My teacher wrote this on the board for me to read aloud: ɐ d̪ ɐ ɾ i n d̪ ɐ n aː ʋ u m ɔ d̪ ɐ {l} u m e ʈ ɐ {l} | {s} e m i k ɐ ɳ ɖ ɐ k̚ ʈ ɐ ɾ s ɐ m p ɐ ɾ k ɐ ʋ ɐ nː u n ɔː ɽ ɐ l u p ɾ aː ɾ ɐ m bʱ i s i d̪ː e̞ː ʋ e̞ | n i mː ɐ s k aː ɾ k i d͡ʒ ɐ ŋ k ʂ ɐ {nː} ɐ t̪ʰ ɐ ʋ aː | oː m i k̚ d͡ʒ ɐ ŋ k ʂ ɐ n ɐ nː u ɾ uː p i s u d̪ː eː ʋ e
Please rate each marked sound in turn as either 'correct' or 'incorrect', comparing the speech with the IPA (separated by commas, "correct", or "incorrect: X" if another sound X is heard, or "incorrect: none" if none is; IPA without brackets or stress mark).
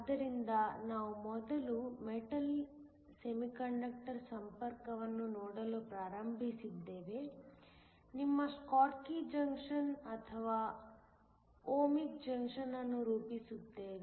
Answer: correct, correct, correct, incorrect: n